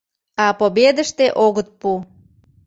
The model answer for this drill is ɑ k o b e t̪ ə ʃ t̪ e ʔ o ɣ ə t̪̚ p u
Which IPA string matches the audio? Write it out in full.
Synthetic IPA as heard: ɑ p o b e d̪ ə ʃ t̪ e ʔ o ɣ ə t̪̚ p u